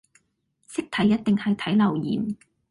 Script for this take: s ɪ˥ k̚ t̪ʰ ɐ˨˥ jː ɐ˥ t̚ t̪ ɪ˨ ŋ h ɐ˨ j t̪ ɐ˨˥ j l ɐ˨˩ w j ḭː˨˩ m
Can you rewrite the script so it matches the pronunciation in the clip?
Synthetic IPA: s ɪ˥ k̚ t̪ʰ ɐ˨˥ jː ɐ˥ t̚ t̪ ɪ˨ ŋ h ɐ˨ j t̪ʰ ɐ˨˥ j l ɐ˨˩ w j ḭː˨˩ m

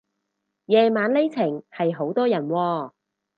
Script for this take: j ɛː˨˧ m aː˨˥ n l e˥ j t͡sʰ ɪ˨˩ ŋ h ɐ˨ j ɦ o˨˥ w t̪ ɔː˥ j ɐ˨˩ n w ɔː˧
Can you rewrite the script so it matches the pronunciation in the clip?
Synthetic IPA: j ɛː˨˧ m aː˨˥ n l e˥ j t͡sʰ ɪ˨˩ ŋ h ɐ˨ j ɦ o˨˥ w t̪ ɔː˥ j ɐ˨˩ n w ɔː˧

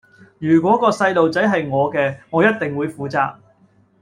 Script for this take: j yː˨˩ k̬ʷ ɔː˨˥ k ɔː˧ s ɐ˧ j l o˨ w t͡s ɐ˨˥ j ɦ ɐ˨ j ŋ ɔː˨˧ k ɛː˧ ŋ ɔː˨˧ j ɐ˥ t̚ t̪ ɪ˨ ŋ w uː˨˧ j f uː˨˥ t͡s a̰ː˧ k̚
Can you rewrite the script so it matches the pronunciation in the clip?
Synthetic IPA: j yː˨˩ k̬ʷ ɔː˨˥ k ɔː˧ s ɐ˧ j l o˨ w t͡s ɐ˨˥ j ɦ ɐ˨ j ŋ ɔː˨˧ k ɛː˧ ŋ ɔː˨˧ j ɐ˥ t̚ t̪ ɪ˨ ŋ w uː˨˧ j f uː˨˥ t͡s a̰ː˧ k̚

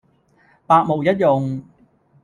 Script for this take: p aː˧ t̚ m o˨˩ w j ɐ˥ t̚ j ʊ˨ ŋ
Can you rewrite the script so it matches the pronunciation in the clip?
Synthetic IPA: p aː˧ k̚ m o˨˩ w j ɐ˥ t̚ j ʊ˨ ŋ

